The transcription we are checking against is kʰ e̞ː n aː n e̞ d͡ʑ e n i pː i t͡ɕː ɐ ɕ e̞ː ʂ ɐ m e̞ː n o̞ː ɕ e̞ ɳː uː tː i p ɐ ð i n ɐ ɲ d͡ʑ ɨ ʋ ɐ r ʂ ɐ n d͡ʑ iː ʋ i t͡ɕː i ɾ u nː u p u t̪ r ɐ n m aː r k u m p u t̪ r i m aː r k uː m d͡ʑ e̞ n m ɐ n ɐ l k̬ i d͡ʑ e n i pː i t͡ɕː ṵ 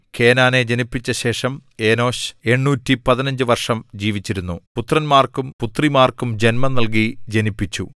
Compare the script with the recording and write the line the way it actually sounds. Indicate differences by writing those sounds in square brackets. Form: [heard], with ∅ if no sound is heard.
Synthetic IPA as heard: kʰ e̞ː n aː n e̞ d͡ʑ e n i pː i t͡ɕː ɐ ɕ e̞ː ʂ ɐ m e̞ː n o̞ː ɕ e̞ ɳː uː tː i p ɐ ð i n ɐ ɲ d͡ʑ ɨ ʋ ɐ r ʂ ɐ [m] d͡ʑ iː ʋ i t͡ɕː i ɾ u nː u p u t̪ r ɐ n m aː r k u m p u t̪ r i m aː r k [u] m d͡ʑ e̞ n m ɐ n ɐ l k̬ i d͡ʑ e n i pː i t͡ɕː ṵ